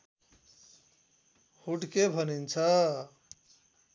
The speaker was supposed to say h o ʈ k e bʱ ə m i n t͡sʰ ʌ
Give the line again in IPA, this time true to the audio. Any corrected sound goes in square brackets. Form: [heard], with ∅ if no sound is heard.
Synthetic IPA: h [u] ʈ k e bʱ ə [n] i n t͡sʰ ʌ